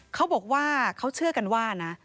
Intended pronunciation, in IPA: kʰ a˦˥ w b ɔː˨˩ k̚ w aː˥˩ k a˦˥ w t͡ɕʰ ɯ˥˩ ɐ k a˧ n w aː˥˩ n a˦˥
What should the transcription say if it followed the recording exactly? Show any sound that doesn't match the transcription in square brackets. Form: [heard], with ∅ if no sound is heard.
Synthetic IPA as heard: kʰ a˦˥ w b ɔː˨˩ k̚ w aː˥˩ [kʰ] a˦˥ w t͡ɕʰ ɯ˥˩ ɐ k a˧ n w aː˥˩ n a˦˥